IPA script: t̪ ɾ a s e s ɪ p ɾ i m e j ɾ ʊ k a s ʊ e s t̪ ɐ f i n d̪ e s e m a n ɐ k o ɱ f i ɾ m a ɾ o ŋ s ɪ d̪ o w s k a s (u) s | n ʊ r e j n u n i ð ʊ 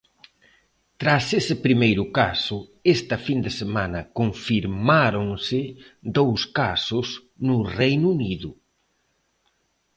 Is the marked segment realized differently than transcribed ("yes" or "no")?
yes